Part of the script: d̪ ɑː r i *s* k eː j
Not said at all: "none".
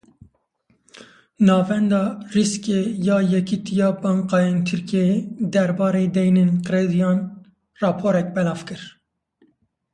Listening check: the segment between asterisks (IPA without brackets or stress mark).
s